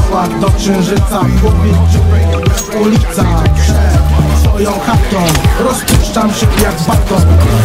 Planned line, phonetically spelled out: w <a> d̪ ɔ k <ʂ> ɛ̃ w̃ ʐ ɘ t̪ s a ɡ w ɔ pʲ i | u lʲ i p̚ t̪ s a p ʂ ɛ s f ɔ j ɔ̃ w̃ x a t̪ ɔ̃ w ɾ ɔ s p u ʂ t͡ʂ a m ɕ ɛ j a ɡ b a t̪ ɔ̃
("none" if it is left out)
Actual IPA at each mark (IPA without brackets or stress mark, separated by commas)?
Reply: a, ʂ